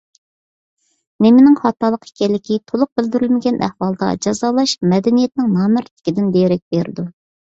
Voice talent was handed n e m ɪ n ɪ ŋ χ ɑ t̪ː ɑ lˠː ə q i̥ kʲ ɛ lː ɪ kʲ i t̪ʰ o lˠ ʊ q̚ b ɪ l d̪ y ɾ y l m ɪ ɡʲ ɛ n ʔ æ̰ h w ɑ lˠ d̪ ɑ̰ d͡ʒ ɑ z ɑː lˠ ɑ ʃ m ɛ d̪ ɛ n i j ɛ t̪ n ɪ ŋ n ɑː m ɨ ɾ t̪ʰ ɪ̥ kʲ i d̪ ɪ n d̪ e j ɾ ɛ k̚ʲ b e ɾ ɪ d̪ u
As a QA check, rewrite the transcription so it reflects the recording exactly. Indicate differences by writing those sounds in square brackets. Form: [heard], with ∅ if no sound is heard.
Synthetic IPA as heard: n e m ɪ n ɪ ŋ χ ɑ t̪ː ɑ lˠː ə q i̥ kʲ ɛ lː ɪ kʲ i t̪ʰ o lˠ ʊ q̚ b ɪ l d̪ y ɾ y l m ɪ ɡʲ ɛ n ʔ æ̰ h w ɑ lˠ d̪ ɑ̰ d͡ʒ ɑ z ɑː lˠ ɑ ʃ m ɛ d̪ ɛ n i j ɛ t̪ n ɪ ŋ n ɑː m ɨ ɾ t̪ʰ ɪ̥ kʲ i d̪ ɪ n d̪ e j ɾ ɛ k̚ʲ b e ɾ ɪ d̪ u